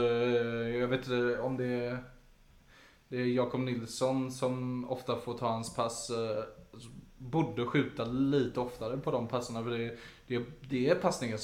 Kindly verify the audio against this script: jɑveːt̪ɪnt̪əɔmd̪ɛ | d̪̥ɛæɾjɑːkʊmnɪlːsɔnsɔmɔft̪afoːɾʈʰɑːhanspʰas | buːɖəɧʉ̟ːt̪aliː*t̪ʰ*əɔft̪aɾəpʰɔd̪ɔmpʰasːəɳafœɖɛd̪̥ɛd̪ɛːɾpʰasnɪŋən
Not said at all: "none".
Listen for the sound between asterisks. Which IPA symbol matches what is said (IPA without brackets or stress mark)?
t̪